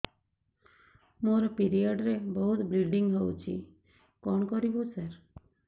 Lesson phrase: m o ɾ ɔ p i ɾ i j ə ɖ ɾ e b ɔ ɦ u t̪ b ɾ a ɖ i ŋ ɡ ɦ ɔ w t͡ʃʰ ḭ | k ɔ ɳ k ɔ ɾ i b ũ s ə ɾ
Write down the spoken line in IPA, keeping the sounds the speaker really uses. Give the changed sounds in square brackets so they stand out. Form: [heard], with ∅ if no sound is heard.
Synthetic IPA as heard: m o ɾ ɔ p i ɾ i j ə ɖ ɾ e b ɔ ɦ u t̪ b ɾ [i] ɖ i ŋ ɡ ɦ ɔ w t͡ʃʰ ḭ | k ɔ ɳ k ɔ ɾ i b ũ s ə ɾ